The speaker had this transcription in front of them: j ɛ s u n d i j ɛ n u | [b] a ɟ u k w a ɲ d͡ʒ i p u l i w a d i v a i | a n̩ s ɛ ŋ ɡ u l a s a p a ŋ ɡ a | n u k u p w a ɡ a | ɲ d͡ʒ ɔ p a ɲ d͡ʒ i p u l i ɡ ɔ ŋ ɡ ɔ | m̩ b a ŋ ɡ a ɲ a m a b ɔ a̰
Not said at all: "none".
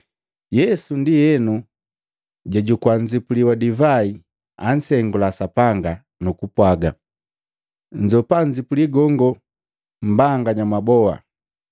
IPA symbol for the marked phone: ɟ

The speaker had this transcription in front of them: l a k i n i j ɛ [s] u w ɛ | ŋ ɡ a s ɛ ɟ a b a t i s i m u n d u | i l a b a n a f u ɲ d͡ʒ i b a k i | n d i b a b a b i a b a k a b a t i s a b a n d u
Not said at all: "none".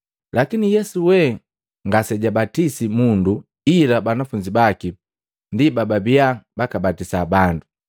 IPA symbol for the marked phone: s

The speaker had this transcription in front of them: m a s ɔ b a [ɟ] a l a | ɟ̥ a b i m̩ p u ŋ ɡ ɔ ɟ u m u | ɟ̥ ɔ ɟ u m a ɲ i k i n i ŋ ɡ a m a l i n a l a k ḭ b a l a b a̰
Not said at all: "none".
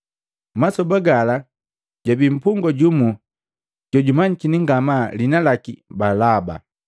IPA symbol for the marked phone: ɡ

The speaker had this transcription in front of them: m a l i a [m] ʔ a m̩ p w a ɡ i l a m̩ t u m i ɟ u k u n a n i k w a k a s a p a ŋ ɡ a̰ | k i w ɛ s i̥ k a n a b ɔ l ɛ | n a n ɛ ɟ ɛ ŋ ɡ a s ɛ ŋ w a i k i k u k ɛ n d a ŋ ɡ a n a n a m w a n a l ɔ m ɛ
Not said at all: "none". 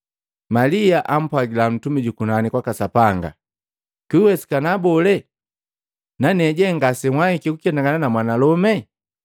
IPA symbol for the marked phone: none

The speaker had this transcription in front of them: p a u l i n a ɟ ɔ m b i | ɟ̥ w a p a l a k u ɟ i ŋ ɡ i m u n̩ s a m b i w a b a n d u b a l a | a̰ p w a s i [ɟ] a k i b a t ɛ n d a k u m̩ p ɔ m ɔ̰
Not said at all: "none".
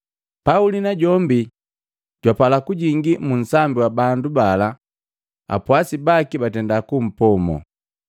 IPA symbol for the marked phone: b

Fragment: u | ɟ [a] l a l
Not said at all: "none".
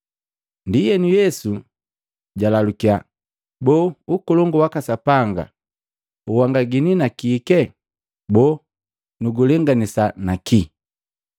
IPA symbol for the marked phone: a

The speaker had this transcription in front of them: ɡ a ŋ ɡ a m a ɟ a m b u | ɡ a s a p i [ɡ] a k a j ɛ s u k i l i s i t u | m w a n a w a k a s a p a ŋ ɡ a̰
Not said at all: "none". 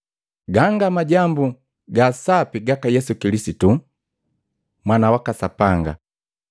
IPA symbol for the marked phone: ɡ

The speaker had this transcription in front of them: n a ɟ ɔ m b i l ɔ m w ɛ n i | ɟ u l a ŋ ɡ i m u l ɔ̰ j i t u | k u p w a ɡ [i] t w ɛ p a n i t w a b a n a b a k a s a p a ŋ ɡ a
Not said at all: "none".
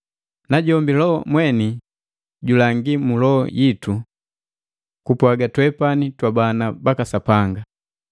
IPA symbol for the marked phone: a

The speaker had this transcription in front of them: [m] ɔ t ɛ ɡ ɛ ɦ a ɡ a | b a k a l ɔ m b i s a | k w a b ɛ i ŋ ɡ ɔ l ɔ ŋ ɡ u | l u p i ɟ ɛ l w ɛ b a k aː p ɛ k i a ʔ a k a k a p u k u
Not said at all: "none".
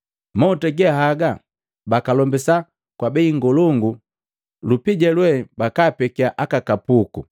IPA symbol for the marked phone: m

